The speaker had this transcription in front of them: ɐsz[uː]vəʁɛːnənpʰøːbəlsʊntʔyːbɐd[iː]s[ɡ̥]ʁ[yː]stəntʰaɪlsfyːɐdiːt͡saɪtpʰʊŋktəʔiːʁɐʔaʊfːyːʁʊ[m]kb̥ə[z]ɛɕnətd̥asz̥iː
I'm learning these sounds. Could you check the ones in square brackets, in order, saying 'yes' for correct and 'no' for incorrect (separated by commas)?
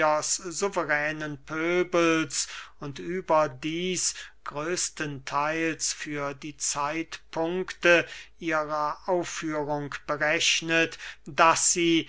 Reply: no, yes, yes, no, no, no